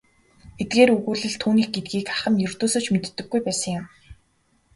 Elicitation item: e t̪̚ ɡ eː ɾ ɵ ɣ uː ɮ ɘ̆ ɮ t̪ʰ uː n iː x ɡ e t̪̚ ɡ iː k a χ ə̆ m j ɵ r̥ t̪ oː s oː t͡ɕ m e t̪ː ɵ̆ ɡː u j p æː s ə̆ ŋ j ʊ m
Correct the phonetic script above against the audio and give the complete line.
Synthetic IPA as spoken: e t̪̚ ɡ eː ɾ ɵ ɣ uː ɮ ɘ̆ ɮ t̪ʰ uː n iː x ɡ e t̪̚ ɡ iː k a χ ə̆ m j ɵ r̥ t̪ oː s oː t͡ɕ m e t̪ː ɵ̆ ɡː u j p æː s ə̆ ŋ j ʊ m